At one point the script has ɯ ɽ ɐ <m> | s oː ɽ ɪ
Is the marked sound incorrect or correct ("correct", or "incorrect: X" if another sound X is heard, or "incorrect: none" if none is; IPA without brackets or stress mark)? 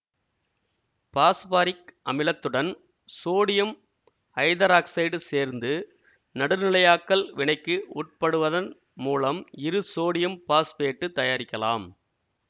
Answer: incorrect: n